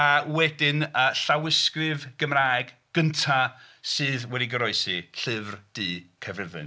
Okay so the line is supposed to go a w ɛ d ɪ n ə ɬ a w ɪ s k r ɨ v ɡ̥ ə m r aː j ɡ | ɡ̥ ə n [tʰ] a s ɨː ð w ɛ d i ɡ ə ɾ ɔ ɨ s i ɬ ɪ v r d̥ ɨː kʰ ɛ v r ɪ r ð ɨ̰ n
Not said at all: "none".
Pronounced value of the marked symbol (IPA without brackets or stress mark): tʰ